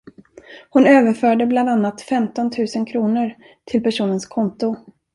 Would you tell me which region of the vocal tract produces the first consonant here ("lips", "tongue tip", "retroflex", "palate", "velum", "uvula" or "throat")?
throat